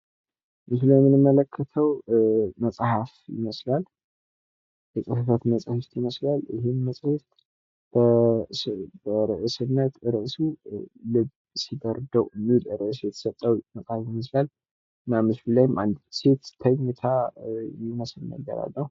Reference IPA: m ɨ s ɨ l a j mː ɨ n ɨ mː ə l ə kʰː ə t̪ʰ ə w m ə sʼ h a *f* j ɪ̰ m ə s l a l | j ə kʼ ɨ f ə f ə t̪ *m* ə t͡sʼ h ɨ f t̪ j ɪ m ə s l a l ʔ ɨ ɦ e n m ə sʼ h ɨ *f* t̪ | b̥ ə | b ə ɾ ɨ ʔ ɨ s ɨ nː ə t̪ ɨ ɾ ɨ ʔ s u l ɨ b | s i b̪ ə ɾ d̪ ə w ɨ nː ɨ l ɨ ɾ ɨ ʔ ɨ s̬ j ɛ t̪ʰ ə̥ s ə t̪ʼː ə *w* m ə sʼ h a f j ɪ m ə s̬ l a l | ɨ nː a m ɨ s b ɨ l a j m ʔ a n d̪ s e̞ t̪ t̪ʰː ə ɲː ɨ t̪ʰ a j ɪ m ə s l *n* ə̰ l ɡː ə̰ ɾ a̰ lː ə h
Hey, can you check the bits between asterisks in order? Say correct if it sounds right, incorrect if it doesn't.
correct, correct, correct, correct, correct

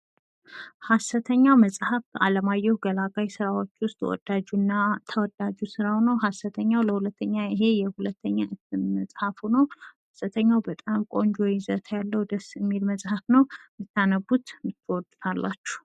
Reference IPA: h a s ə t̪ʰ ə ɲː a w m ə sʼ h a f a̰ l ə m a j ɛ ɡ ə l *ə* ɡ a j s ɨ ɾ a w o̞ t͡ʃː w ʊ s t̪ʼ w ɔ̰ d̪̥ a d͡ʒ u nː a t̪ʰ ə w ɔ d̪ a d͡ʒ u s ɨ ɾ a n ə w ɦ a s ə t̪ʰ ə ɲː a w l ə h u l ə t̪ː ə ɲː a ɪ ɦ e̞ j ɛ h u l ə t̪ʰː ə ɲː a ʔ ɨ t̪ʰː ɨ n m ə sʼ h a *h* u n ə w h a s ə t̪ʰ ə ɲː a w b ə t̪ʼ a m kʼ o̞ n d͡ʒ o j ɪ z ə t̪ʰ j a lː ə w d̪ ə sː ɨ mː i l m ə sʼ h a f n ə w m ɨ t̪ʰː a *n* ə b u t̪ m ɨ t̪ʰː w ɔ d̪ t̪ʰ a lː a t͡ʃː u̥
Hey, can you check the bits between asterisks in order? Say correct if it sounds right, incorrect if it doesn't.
incorrect, incorrect, correct

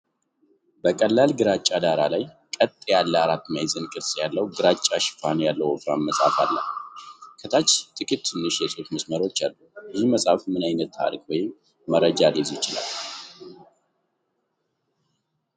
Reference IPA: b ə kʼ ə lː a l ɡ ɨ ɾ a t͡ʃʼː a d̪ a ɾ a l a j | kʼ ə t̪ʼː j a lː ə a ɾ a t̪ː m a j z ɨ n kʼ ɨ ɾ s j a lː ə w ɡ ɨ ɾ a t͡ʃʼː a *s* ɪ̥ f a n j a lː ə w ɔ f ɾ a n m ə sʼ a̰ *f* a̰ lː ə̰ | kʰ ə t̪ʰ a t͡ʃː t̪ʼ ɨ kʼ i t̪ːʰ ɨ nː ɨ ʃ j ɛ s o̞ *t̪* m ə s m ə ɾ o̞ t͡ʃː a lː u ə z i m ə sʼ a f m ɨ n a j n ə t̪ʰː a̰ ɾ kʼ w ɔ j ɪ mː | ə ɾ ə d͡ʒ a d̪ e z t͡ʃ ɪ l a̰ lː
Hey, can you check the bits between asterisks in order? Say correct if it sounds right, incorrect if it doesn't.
incorrect, correct, correct

